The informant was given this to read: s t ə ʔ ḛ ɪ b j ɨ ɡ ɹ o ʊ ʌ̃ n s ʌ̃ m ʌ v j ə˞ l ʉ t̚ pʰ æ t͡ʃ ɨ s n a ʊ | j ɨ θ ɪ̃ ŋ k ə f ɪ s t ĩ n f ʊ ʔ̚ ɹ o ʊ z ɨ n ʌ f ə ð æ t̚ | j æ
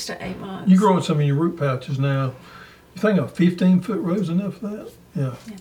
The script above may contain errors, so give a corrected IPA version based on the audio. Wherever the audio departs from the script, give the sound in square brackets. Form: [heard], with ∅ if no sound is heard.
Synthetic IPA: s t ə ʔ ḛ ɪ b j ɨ ɡ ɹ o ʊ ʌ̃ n s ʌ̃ m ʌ v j ə˞ [ɹ] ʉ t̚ pʰ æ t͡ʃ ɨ [z] n a ʊ | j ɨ θ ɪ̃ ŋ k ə f ɪ [f] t ĩ n f ʊ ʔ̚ ɹ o ʊ z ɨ n ʌ f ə ð æ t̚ | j æ